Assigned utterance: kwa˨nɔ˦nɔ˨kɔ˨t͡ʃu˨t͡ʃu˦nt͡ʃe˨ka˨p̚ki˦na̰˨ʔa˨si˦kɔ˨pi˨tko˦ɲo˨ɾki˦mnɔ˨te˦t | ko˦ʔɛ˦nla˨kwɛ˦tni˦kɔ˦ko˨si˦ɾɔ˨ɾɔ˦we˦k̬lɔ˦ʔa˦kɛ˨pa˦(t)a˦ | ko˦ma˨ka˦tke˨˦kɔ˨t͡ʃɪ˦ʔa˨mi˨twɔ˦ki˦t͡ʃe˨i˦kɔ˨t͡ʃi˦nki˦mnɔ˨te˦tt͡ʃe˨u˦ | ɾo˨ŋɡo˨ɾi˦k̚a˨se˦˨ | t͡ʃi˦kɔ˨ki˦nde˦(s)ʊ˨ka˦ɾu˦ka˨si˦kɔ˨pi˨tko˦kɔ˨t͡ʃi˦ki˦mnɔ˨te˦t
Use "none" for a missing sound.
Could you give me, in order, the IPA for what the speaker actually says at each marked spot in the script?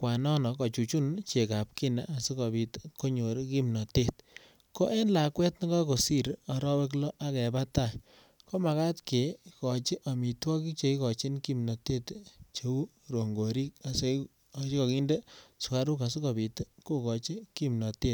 t, s

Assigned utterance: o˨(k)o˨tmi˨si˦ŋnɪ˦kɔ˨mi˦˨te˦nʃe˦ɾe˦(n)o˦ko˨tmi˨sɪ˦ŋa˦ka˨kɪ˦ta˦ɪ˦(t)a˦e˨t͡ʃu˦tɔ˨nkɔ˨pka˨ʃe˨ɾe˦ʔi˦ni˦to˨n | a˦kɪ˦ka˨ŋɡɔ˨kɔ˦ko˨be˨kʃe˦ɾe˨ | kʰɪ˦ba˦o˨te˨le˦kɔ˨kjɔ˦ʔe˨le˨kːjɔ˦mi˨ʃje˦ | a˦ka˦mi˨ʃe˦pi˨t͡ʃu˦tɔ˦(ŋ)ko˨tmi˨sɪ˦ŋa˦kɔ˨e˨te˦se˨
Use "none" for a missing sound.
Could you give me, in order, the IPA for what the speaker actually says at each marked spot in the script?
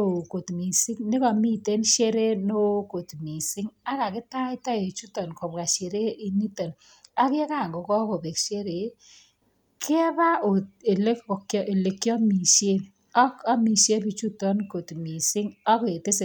k, n, t, n

